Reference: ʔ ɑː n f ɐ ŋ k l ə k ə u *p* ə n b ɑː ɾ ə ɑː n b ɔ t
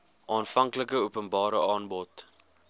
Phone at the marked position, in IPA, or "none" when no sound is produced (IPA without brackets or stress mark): p